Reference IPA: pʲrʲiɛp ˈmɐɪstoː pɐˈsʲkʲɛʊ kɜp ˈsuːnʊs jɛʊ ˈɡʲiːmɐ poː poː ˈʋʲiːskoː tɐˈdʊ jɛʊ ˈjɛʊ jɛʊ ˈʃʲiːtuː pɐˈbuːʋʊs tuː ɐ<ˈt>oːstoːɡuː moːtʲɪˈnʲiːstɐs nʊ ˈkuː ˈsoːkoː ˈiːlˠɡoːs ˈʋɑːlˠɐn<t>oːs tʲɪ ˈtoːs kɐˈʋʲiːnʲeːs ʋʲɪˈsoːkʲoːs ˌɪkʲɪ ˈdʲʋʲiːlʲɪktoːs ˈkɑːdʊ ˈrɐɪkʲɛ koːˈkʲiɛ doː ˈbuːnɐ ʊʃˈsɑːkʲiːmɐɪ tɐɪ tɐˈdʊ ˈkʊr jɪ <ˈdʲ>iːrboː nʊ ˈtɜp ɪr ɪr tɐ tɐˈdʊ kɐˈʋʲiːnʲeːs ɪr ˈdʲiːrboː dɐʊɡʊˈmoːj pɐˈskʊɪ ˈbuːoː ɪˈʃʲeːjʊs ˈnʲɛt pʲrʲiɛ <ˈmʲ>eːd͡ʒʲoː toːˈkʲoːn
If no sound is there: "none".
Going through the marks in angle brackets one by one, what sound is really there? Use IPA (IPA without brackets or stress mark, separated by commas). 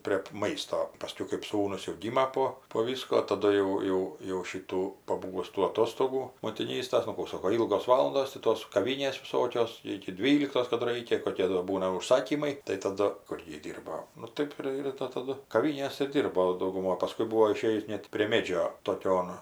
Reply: t, d, dʲ, mʲ